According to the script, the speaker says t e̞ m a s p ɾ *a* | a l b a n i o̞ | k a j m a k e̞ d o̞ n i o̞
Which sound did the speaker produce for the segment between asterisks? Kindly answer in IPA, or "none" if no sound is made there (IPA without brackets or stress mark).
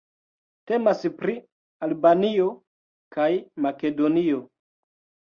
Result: i